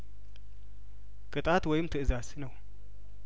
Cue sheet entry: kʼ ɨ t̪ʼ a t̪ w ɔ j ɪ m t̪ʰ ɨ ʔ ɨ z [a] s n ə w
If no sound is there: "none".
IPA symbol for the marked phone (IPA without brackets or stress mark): a